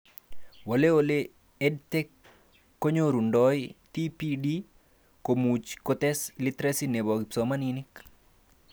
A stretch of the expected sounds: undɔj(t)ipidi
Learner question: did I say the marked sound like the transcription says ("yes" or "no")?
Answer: yes